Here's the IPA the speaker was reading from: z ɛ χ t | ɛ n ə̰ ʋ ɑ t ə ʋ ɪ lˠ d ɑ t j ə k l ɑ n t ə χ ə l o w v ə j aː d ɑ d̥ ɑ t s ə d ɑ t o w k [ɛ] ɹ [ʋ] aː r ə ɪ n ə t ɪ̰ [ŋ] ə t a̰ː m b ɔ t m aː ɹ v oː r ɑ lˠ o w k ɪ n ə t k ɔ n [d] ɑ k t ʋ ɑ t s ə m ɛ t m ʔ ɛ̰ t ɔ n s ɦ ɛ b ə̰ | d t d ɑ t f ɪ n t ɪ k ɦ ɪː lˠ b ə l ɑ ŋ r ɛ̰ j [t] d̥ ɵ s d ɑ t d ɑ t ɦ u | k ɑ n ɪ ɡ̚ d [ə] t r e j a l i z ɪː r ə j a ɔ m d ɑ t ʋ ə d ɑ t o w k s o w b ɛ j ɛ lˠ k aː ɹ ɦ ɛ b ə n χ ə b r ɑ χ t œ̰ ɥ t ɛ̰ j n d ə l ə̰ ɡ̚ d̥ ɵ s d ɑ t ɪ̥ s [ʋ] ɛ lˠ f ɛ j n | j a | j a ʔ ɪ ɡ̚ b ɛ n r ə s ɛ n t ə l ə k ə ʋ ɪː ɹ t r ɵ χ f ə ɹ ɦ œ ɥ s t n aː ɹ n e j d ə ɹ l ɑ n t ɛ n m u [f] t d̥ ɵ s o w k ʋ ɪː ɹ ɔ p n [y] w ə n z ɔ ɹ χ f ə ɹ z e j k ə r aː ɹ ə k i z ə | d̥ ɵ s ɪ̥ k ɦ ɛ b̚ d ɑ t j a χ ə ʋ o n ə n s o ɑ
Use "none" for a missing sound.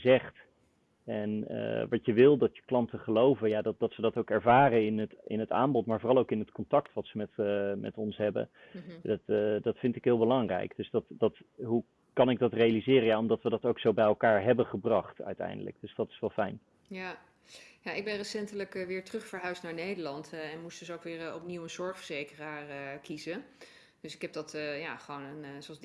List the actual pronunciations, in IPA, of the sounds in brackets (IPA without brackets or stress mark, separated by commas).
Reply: ɛ, v, n, t, k, ɑ, ʋ, s, i